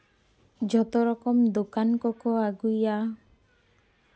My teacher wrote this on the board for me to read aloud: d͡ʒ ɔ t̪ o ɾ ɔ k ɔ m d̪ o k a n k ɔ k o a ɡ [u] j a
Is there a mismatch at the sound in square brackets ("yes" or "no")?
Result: no